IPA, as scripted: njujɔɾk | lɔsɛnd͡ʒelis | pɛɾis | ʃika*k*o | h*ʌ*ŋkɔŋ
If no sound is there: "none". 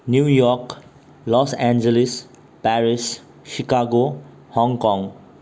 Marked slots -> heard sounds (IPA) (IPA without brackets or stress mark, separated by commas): ɡ, ɔ